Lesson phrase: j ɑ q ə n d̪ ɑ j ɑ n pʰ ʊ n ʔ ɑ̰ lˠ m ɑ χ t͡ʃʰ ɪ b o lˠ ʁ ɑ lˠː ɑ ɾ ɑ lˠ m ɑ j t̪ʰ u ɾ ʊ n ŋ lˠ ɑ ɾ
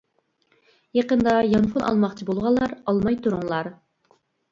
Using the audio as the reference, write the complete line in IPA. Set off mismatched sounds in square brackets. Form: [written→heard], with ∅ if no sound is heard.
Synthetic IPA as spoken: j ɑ q ə n d̪ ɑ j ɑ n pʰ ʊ n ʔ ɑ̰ lˠ m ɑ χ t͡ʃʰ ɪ b o lˠ ʁ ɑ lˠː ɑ ɾ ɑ lˠ m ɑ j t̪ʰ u ɾ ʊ [n→∅] ŋ lˠ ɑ ɾ

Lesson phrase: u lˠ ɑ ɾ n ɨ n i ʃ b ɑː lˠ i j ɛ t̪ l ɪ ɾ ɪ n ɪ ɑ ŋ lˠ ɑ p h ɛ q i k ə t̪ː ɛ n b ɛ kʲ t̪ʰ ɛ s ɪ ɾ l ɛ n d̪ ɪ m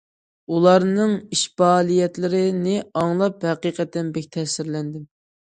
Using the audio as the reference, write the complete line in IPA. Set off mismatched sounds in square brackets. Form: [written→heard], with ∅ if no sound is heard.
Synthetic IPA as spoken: u lˠ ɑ ɾ n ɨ [n→ŋ] i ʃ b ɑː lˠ i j ɛ t̪ l ɪ ɾ ɪ n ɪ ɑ ŋ lˠ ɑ p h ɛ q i [k→q] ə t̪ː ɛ n b ɛ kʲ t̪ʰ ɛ s ɪ ɾ l ɛ n d̪ ɪ m

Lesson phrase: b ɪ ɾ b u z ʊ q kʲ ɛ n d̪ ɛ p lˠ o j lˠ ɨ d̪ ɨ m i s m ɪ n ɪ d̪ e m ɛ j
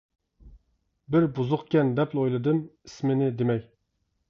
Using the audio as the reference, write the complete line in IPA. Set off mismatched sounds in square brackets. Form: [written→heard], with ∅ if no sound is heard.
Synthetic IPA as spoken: b ɪ ɾ b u z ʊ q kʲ ɛ n d̪ ɛ p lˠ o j lˠ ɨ d̪ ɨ m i s m ɪ n ɪ d̪ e m ɛ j

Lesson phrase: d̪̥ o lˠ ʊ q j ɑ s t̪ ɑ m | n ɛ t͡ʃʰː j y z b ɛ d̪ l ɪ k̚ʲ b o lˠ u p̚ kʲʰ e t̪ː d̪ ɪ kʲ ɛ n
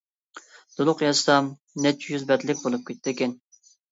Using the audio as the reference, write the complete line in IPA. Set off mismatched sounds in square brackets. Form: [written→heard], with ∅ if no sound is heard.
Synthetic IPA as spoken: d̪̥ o lˠ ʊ q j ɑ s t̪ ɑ m | n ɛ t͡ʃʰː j y z b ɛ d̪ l ɪ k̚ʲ b o lˠ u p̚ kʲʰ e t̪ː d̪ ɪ kʲ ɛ n

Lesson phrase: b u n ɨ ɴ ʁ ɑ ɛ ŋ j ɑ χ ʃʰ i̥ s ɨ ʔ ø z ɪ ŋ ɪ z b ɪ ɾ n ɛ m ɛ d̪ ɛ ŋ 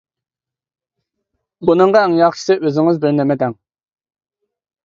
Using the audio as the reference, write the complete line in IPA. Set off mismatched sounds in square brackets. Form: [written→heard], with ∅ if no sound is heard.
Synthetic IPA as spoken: b u n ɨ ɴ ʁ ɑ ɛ ŋ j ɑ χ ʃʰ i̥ s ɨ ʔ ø z ɪ ŋ ɪ z b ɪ ɾ n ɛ m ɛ d̪ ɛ ŋ

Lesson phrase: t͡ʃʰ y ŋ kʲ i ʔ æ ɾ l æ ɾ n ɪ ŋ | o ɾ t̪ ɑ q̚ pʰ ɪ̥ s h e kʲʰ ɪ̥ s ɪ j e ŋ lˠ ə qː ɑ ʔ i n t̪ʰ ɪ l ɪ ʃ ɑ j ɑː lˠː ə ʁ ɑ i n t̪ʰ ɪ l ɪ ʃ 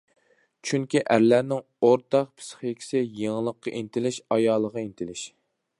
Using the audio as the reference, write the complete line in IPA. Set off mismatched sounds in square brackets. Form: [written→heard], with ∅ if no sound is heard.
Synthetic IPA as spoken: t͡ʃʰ y ŋ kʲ i ʔ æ ɾ l æ ɾ n ɪ ŋ | o ɾ t̪ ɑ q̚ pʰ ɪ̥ s [h→χ] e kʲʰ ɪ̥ s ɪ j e ŋ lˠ ə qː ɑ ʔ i n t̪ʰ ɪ l ɪ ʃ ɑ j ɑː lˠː ə ʁ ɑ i n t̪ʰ ɪ l ɪ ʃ

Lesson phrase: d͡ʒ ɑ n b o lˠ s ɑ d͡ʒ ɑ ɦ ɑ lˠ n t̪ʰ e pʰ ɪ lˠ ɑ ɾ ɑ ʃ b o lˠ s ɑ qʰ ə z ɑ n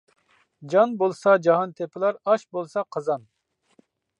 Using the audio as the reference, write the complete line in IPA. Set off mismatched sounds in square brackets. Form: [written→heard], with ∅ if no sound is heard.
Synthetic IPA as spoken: d͡ʒ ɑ n b o lˠ s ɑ d͡ʒ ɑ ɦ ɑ [lˠ→∅] n t̪ʰ e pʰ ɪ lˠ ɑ ɾ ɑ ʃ b o lˠ s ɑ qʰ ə z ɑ n

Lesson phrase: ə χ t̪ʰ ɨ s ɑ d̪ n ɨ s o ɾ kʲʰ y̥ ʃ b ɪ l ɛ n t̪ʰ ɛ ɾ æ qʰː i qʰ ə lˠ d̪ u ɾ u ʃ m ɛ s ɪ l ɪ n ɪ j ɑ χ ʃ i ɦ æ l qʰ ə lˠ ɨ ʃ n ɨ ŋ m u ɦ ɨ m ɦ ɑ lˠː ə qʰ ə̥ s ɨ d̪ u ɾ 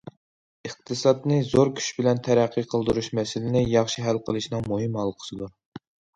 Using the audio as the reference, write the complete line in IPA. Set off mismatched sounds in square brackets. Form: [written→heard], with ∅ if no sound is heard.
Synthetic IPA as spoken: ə χ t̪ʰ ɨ s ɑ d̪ n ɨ [s→z] o ɾ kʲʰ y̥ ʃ b ɪ l ɛ n t̪ʰ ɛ ɾ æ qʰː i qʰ ə lˠ d̪ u ɾ u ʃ m ɛ s ɪ l ɪ n ɪ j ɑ χ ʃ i ɦ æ l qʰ ə lˠ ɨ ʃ n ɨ ŋ m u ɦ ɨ m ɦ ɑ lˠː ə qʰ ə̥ s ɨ d̪ u ɾ

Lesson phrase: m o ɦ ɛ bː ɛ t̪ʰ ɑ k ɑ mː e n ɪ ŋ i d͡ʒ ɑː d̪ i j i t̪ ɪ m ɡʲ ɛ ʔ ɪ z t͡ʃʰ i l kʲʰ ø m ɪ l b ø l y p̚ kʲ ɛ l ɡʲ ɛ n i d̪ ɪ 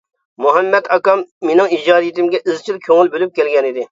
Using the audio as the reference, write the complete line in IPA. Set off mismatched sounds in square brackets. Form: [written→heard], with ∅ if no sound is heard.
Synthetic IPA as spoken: m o ɦ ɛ [bː→mː] ɛ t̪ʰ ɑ k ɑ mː e n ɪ ŋ i d͡ʒ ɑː d̪ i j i t̪ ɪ m ɡʲ ɛ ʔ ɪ z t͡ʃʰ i l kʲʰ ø [m→ŋ] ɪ l b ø l y p̚ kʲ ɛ l ɡʲ ɛ n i d̪ ɪ

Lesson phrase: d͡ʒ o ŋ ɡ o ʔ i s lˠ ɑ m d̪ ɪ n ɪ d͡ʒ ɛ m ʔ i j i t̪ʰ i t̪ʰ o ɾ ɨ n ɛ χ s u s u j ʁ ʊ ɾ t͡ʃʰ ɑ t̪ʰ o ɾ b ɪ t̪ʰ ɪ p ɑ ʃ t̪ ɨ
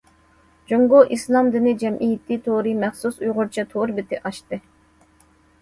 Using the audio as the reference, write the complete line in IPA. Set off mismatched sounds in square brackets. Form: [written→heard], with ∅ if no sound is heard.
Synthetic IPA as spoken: d͡ʒ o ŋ ɡ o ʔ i s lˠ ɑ m d̪ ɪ n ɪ d͡ʒ ɛ m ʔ i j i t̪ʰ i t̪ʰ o ɾ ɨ [n→m] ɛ χ s u s u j ʁ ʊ ɾ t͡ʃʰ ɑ t̪ʰ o ɾ b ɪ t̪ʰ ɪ [p→ʔ] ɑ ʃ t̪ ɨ

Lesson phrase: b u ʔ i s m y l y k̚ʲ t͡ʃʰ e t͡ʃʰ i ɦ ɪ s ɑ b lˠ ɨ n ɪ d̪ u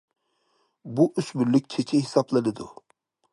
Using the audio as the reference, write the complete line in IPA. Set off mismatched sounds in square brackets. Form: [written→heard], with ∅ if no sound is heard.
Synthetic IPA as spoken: b u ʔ [i→y] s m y l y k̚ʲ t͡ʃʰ e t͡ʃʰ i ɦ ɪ s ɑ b lˠ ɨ n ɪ d̪ u

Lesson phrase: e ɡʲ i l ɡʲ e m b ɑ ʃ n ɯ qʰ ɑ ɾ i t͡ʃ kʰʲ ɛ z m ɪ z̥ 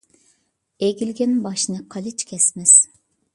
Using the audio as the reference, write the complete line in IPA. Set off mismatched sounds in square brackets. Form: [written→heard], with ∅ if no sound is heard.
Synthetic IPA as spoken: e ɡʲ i l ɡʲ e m b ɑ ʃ n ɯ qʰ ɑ [ɾ→l] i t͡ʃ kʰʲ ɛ [z→s] m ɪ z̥

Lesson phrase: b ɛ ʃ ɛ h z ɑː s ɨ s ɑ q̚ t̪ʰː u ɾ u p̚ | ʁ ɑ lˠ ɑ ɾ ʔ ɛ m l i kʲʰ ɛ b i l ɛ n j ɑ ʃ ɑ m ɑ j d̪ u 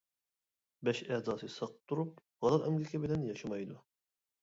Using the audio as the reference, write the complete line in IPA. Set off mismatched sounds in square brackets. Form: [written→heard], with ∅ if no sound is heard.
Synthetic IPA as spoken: b ɛ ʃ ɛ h z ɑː s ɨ s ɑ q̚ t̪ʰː u ɾ u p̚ | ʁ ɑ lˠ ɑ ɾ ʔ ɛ m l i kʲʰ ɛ b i l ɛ n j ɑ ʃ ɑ m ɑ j d̪ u

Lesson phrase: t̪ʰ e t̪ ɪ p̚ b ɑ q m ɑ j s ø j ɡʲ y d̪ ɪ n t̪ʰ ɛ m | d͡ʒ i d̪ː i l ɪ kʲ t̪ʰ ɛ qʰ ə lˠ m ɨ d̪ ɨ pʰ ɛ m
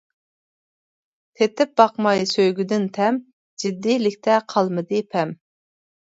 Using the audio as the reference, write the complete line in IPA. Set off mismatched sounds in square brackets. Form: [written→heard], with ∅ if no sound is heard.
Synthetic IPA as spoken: t̪ʰ e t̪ ɪ p̚ b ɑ q m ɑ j s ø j ɡʲ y d̪ ɪ n t̪ʰ ɛ m | d͡ʒ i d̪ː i l ɪ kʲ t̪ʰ ɛ qʰ [ə→ɑ] lˠ m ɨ d̪ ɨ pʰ ɛ m

